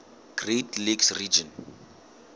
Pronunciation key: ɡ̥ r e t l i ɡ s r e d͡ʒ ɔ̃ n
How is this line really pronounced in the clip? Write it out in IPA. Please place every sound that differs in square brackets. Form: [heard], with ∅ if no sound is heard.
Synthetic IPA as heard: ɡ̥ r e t l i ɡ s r [i] d͡ʒ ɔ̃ n